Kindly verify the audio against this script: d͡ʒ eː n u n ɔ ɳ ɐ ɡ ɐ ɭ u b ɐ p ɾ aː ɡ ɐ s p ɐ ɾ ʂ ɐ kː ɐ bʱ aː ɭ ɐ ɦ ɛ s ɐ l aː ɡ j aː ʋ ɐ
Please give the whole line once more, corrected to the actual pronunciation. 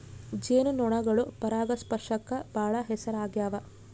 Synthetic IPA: d͡ʒ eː n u n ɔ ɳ ɐ ɡ ɐ ɭ u p ɐ ɾ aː ɡ ɐ s p ɐ ɾ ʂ ɐ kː ɐ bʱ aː ɭ ɐ ɦ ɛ s ɐ ɾ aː ɡ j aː ʋ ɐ